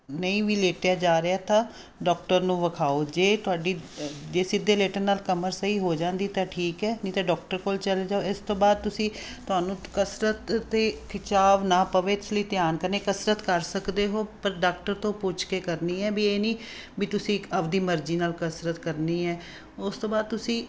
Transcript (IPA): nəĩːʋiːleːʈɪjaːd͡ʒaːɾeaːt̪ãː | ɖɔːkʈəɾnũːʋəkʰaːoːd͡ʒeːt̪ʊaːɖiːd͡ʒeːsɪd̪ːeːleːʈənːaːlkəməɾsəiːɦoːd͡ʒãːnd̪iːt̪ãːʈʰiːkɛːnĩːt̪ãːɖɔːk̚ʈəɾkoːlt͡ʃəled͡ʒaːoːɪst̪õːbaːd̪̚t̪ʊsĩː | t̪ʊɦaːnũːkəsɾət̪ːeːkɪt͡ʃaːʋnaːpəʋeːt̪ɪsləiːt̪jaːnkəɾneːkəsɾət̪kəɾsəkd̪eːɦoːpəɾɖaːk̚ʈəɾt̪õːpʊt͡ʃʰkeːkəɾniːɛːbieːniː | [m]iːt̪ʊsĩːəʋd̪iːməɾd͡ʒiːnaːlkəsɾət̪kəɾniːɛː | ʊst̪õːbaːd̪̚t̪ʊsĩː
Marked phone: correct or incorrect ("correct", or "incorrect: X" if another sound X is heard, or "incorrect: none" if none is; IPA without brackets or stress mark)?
incorrect: b